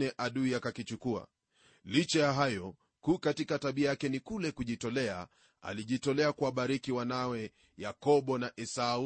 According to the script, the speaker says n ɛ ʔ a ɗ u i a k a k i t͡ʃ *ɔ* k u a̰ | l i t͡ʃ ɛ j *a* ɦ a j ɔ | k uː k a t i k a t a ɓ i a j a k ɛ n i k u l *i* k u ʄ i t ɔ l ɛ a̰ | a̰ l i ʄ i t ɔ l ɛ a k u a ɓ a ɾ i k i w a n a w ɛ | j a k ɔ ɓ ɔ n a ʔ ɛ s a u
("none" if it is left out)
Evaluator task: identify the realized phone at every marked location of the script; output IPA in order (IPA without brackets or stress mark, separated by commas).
u, a, ɛ